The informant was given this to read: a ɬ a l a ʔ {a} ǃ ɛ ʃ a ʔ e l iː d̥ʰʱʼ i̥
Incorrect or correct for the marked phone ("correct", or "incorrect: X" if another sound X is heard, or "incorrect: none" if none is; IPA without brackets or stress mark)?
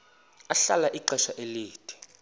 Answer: incorrect: i